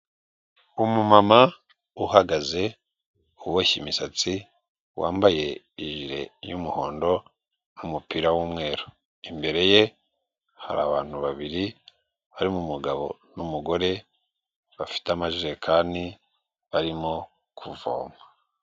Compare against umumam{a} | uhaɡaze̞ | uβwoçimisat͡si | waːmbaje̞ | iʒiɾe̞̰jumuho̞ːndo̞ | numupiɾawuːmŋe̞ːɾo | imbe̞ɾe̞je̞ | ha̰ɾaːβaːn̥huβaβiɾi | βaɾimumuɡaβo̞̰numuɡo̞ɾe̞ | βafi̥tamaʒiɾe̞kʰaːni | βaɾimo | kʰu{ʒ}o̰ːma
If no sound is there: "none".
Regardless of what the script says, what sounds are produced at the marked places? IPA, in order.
a, v

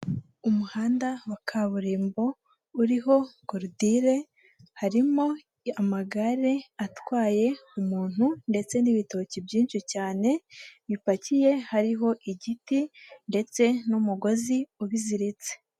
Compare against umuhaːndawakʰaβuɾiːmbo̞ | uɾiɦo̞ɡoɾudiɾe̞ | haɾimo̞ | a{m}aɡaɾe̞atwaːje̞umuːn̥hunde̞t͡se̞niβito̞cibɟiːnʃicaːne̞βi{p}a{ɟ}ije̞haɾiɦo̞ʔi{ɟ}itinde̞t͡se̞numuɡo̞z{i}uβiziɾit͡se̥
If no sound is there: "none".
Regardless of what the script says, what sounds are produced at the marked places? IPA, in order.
m, p, c, ɟ, i

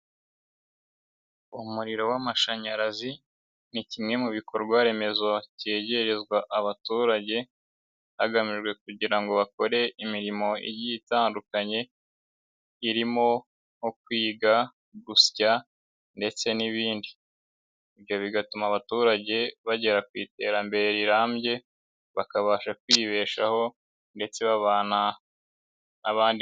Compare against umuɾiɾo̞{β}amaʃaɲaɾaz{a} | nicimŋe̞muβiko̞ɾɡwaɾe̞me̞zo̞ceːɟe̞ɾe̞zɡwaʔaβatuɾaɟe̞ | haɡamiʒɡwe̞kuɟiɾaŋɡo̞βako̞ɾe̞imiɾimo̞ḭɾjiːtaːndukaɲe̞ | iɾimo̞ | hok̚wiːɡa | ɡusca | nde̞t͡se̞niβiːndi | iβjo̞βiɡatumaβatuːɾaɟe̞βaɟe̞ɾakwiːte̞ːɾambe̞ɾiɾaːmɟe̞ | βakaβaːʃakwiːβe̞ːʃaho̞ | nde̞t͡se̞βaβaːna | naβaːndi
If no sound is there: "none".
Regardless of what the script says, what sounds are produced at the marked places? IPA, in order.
w, i

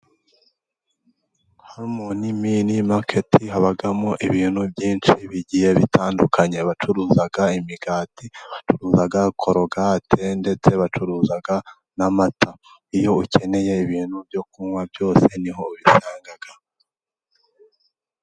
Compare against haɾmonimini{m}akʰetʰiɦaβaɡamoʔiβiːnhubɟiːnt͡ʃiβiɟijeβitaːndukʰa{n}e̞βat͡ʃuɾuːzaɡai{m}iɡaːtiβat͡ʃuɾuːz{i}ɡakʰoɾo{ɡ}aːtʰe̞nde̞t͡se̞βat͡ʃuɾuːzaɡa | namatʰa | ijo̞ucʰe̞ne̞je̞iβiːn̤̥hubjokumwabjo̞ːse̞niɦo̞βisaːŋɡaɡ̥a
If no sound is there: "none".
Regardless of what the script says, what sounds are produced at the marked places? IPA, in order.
m, ɲ, m, a, ɡ

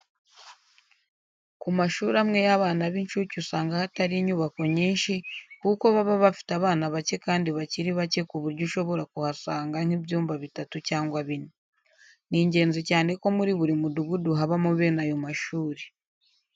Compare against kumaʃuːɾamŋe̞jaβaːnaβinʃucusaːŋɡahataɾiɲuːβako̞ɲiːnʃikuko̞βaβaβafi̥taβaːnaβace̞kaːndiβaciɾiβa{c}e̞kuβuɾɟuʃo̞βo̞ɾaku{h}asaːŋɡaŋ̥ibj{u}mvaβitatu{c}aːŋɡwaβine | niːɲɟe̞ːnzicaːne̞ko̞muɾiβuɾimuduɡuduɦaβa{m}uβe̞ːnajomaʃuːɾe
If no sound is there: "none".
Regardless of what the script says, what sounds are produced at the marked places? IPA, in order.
c, h, uː, c, m

